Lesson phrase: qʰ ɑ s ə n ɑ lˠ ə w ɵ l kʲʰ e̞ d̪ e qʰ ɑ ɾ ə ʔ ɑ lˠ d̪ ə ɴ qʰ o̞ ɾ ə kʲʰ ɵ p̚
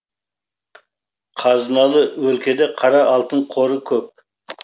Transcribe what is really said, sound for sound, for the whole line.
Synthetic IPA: qʰ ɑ z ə n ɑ lˠ ə w ɵ l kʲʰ e̞ d̪ e qʰ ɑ ɾ ɑ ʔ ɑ lˠ t̪ ə ɴ qʰ o̞ ɾ ə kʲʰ ɵ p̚